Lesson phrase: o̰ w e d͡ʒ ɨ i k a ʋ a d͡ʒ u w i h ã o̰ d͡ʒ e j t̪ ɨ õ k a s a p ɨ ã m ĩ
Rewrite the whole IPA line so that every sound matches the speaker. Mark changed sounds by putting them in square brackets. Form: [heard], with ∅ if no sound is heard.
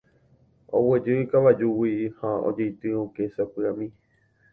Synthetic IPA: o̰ w e d͡ʒ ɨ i k a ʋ a d͡ʒ u w i h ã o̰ d͡ʒ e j t̪ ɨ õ k [e] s a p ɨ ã m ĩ